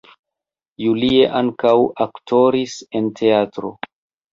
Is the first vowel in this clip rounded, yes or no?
yes